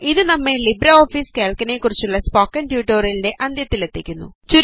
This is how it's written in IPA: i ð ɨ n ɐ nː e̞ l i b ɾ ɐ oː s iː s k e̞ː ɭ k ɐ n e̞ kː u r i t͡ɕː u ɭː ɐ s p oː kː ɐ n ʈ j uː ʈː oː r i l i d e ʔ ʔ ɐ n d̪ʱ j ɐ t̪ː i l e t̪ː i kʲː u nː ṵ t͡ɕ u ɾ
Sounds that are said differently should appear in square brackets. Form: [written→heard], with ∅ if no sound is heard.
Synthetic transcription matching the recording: i ð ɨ n ɐ [nː→mː] e̞ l i b ɾ ɐ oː [s→f] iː s k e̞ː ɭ k ɐ n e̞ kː u r i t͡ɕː u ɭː ɐ s p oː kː ɐ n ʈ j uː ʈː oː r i l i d e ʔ ʔ ɐ n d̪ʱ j ɐ t̪ː i l e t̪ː i kʲː u nː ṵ t͡ɕ u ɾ